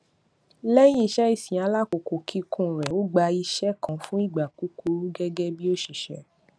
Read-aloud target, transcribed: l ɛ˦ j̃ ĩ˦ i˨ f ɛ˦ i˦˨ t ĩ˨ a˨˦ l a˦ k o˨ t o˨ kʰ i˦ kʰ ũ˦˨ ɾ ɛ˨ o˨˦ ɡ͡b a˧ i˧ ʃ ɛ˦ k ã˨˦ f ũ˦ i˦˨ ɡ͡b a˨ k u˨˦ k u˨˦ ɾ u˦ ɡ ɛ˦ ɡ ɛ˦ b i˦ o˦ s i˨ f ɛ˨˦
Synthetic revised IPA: l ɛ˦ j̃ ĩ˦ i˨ ʃ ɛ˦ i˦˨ s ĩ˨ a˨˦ l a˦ k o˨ k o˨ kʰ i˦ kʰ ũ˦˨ ɾ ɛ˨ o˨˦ ɡ͡b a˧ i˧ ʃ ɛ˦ k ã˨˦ f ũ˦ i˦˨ ɡ͡b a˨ k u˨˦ k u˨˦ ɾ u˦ ɡ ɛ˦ ɡ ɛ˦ b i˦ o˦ ʃ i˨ ʃ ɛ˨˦